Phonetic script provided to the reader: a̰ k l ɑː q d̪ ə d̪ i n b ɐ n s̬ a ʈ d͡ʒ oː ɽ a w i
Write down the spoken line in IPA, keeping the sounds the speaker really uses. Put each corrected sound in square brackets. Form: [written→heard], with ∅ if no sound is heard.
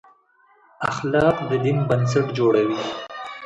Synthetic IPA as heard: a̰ [k→x] l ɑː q d̪ ə d̪ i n b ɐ n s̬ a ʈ d͡ʒ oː ɽ a w i